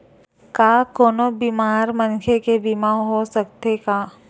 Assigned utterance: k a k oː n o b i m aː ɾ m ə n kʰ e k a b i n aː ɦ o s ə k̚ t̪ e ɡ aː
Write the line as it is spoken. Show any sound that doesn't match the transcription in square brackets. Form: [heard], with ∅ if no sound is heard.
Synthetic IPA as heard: k a k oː n o b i m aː ɾ m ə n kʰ e k [e] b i [m] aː ɦ o s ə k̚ t̪ e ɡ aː